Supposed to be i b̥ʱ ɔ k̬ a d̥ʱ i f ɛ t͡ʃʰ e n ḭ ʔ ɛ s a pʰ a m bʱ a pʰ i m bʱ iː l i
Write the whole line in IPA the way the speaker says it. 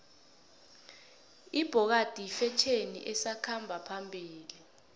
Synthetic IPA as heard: i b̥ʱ ɔ k̬ a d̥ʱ i f ɛ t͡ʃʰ e n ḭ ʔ ɛ s a kʰ a m bʱ a pʰ a m bʱ iː l i